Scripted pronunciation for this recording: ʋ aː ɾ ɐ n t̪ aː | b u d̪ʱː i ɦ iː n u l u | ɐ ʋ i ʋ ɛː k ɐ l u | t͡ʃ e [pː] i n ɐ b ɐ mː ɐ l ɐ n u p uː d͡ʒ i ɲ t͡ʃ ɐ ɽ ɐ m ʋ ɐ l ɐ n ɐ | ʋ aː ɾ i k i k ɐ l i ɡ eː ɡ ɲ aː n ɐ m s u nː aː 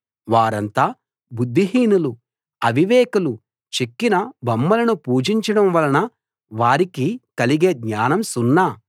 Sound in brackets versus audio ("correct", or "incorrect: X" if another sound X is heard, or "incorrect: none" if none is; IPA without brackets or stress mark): incorrect: kː